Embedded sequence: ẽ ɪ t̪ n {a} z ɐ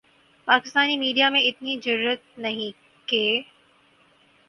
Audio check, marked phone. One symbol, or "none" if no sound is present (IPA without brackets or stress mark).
i